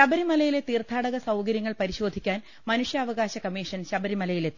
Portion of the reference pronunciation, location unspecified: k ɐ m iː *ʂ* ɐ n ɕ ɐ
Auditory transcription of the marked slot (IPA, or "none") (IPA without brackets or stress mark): ʂ